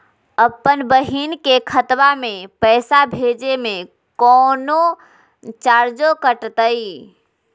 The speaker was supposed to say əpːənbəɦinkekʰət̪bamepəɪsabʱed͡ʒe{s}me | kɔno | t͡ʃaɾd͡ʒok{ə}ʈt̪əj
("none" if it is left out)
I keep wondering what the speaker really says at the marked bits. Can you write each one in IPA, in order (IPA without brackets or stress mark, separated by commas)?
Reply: none, ə